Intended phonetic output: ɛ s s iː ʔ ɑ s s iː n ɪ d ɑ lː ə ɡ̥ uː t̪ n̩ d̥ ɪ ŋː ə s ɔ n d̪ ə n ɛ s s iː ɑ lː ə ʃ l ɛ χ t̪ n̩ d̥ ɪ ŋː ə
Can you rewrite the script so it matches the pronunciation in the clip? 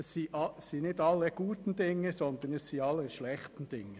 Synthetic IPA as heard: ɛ s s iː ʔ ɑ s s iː n ɪ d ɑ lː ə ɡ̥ uː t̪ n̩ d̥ ɪ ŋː ə s ɔ n d̪ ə n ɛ s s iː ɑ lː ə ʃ l ɛ χ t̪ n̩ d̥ ɪ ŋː ə